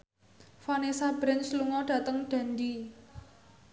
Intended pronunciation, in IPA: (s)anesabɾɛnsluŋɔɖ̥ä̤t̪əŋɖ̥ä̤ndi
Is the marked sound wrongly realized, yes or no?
yes